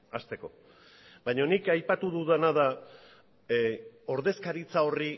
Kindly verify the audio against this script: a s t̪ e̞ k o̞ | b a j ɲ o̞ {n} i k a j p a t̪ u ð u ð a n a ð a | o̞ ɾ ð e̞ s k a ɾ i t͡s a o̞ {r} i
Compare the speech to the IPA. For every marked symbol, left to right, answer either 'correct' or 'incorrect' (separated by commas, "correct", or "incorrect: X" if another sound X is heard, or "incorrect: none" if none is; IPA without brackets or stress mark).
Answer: correct, correct